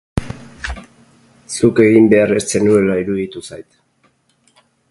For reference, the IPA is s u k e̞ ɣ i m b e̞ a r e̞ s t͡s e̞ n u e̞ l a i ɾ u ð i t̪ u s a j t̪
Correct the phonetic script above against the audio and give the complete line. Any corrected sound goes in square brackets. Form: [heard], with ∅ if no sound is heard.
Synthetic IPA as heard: s u k e̞ ɣ i m b e̞ a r e̞ s t͡s e̞ n u e̞ l a i ɾ u ð i t̪ u s a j t̪

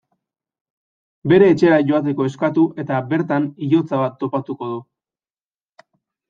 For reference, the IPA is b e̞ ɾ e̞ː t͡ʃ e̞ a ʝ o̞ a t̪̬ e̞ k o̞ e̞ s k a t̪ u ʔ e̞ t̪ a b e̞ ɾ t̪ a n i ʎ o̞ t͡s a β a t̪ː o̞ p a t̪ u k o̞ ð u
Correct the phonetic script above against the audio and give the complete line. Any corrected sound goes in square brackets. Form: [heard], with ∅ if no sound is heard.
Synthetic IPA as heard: b e̞ ɾ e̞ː t͡ʃ e̞ a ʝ o̞ a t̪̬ e̞ k o̞ e̞ s k a t̪ u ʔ e̞ t̪ a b e̞ ɾ t̪ a n i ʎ o̞ t͡s a β a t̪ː o̞ p a t̪ u k o̞ ð u

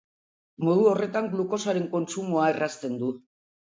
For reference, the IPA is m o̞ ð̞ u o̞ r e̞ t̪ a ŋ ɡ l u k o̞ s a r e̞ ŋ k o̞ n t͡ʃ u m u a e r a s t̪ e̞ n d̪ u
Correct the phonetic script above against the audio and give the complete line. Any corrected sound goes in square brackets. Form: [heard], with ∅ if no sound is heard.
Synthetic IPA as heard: m o̞ ð̞ u o̞ r e̞ t̪ a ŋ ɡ l u k o̞ s a [ɾ] e̞ ŋ k o̞ n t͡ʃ u m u a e r a s t̪ e̞ n d̪ u

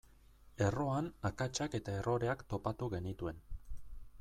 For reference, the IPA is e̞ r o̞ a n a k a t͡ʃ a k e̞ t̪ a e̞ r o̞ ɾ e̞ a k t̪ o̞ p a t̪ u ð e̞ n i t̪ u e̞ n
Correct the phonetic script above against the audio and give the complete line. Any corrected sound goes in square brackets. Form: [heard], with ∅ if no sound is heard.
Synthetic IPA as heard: e̞ r o̞ a n a k a t͡ʃ a k e̞ t̪ a e̞ r o̞ ɾ e̞ a k t̪ o̞ p a t̪ u [ɣ] e̞ n i t̪ u e̞ n

